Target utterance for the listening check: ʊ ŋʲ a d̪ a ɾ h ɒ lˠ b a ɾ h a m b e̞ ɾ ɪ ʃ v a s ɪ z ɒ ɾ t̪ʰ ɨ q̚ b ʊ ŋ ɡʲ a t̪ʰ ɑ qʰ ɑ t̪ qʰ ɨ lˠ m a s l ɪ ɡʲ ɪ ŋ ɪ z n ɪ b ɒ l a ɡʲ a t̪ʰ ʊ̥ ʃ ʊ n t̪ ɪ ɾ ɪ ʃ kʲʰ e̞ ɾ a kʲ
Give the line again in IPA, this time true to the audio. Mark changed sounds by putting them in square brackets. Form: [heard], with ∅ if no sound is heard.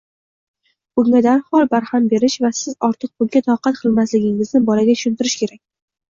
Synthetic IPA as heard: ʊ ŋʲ a d̪ a ɾ h ɒ lˠ b a ɾ h a m b e̞ ɾ ɪ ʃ v a s ɪ z ɒ ɾ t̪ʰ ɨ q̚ b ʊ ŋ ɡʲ a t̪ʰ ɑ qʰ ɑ t̪ qʰ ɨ lˠ m a s l ɪ ɡʲ ɪ ŋ ɪ z n ɪ b ɒ l a ɡʲ a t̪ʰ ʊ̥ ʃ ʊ n t̪ ɪ ɾ ɪ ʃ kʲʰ e̞ ɾ a kʲ